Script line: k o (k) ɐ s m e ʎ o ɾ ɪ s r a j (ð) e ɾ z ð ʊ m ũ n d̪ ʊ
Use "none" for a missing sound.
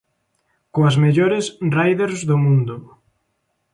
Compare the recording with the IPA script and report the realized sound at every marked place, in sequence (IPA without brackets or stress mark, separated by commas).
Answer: none, ð